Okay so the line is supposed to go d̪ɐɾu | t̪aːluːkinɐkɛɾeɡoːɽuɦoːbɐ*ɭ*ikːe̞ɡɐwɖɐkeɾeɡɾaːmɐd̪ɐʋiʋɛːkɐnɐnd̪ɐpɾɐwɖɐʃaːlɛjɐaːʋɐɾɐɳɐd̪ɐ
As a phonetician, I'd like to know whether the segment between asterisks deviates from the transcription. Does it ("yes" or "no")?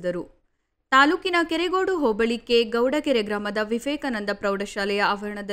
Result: no